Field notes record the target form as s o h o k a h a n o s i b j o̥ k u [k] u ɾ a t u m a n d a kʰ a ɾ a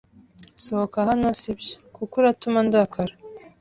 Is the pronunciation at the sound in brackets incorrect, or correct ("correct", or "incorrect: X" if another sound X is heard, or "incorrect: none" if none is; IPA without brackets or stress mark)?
correct